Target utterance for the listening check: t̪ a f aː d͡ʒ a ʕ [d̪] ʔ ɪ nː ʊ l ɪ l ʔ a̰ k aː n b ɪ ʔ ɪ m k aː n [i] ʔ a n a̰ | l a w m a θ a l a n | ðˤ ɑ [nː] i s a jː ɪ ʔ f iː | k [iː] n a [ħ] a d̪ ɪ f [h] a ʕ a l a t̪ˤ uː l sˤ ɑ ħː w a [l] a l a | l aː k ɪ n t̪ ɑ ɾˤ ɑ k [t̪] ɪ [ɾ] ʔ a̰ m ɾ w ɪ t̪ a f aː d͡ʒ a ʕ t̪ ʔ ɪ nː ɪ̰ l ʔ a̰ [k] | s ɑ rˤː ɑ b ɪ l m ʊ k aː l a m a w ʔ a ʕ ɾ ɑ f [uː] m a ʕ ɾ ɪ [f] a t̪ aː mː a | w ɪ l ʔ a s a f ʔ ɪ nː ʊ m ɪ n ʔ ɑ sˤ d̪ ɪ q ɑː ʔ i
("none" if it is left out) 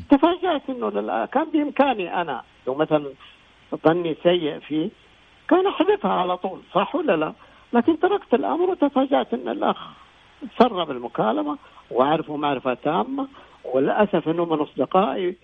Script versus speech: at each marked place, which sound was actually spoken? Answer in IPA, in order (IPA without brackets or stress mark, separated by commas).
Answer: t̪, i, nː, aː, ħ, h, lː, t̪, l, x, u, f